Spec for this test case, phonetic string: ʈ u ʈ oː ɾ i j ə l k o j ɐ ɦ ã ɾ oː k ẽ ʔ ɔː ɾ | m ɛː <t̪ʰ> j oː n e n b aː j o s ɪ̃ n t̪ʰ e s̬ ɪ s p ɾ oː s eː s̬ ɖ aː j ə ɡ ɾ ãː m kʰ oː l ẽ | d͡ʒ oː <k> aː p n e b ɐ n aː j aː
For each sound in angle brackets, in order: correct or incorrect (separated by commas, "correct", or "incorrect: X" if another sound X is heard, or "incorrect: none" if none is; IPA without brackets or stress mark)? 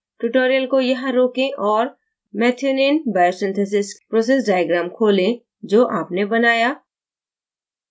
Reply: correct, incorrect: ʔ